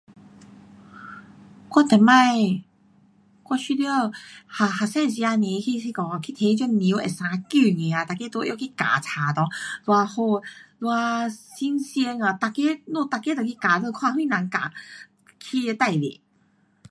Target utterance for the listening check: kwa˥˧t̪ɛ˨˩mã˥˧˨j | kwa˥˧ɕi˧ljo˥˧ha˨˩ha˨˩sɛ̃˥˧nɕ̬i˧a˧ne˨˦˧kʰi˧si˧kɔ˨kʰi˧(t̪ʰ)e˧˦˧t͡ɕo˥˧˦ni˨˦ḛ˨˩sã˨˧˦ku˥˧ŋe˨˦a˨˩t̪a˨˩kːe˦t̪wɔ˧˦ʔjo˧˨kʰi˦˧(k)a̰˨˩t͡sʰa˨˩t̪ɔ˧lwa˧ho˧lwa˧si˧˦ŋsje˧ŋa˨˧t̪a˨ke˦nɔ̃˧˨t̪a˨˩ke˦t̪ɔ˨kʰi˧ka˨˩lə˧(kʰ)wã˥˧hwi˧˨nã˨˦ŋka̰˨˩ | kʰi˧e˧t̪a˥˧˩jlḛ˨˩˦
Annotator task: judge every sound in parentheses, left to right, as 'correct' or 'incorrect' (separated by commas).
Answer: correct, correct, correct